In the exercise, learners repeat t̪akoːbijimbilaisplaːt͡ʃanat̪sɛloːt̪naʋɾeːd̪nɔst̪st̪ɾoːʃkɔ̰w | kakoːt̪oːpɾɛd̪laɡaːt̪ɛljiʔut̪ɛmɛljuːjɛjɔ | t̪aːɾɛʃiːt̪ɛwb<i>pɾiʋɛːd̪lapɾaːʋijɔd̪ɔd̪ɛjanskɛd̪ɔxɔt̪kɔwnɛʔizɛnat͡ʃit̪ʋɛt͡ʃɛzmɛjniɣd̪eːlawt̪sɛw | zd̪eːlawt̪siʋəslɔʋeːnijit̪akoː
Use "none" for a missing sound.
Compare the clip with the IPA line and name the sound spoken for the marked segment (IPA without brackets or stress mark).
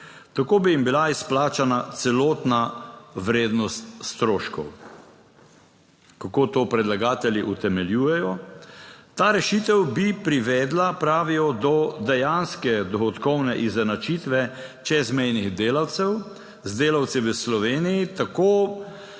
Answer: i